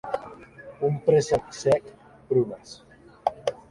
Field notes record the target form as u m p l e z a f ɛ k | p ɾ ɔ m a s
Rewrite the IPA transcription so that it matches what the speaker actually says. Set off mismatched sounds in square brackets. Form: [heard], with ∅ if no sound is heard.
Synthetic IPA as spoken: u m p [ɾ] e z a [s] ɛ k | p ɾ [u] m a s